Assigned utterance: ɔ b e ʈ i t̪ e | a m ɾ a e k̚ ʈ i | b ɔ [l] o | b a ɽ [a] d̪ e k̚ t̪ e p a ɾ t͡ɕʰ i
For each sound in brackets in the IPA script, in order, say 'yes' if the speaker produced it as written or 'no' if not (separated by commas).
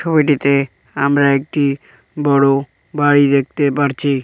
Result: no, no